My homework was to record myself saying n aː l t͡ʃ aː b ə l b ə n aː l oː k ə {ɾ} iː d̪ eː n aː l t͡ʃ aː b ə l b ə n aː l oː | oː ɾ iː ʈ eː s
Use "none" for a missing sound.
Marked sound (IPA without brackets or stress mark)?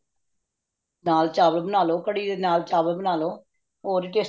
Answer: ɽ